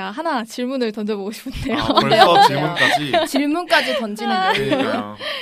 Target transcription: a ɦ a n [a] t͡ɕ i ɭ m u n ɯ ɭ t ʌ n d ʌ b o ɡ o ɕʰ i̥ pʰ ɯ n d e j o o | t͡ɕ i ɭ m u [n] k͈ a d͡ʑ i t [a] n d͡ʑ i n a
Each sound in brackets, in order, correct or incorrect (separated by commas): correct, correct, incorrect